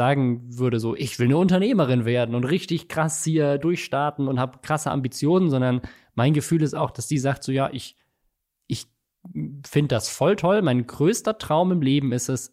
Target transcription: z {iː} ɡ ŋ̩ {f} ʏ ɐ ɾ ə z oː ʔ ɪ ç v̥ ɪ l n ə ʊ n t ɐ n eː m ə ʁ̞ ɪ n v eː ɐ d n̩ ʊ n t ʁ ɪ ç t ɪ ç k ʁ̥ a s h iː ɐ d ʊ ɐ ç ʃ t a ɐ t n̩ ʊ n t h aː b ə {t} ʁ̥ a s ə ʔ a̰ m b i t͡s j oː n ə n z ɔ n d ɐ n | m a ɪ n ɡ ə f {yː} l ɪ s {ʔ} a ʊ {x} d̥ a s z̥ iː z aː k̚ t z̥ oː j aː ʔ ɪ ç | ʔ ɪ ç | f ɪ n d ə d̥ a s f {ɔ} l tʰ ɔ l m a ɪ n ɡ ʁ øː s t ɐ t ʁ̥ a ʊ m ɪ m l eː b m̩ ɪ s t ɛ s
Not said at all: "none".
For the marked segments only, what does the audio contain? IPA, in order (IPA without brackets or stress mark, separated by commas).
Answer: aː, v, k, yː, t, x, ɔ